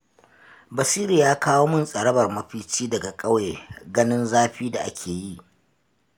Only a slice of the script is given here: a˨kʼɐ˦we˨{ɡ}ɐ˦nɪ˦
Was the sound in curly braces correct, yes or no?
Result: yes